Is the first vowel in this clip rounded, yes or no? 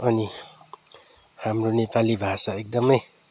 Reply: no